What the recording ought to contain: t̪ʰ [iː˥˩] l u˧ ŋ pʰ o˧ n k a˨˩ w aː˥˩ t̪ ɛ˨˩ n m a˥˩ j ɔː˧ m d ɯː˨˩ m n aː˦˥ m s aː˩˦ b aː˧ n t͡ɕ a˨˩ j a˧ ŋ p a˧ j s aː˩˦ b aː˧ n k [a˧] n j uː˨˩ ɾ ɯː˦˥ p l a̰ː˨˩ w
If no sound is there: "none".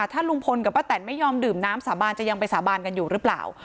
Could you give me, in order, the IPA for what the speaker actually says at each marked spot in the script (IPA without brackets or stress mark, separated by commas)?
aː˥˩, a˧